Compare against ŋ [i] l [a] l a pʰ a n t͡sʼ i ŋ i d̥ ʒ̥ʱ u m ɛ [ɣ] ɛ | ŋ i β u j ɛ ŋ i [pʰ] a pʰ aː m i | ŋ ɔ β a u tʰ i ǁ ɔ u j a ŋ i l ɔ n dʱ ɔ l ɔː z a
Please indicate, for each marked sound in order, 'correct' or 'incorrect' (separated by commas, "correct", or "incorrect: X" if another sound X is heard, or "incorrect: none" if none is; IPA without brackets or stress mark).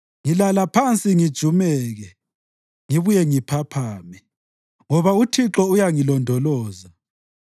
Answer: correct, correct, correct, correct